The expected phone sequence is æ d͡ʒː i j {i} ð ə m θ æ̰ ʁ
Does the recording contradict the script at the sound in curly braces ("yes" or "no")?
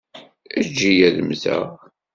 yes